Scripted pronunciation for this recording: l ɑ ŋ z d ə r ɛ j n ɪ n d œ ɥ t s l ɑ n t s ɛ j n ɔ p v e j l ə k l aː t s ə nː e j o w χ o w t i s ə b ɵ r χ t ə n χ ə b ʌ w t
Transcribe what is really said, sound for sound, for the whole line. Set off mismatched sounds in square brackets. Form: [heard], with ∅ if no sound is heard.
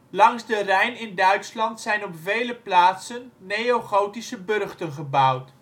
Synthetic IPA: l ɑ ŋ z d ə r ɛ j n ɪ n d œ ɥ t s l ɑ n t s ɛ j n ɔ p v e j l ə [p] l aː t s ə nː e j o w χ o w t i s ə b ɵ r χ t ə n χ ə b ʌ w t